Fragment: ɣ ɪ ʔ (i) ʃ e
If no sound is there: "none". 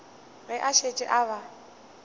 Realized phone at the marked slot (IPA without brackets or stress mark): a